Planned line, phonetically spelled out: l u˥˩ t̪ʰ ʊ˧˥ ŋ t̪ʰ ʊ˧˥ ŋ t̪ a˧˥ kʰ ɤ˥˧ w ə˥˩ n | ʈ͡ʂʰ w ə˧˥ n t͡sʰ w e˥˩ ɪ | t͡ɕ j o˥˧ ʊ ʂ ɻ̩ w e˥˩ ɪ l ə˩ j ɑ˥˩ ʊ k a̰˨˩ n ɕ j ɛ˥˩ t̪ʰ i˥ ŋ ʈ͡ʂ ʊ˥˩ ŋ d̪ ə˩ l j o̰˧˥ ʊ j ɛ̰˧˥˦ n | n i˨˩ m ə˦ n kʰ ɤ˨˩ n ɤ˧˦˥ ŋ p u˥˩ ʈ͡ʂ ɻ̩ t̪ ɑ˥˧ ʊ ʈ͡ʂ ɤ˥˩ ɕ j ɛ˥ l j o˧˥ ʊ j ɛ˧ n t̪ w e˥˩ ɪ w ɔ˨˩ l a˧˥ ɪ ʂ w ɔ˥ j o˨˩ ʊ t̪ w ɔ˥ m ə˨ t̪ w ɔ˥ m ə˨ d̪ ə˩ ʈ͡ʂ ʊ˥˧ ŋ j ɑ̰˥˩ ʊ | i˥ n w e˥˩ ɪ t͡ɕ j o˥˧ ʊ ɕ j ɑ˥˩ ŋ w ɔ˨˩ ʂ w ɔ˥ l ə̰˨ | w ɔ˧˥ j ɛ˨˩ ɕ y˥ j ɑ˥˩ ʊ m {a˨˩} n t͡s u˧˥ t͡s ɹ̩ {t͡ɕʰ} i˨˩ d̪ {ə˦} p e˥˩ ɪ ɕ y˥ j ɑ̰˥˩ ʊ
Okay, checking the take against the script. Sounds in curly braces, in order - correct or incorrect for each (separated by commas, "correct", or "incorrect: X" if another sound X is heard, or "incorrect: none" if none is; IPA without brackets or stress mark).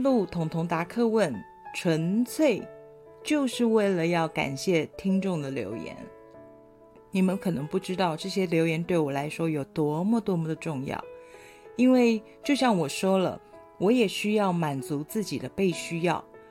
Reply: correct, incorrect: t͡ɕ, correct